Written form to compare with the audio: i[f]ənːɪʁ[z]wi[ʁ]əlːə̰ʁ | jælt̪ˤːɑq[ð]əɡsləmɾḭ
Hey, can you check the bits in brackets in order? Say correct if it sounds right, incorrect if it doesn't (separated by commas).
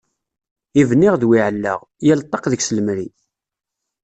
incorrect, incorrect, incorrect, correct